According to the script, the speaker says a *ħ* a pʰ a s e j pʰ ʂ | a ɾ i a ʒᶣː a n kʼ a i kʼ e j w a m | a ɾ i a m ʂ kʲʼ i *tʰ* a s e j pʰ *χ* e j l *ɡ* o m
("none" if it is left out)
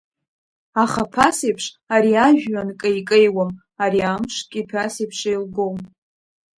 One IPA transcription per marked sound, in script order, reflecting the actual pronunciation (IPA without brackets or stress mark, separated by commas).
χ, pʰ, ʂ, ɡ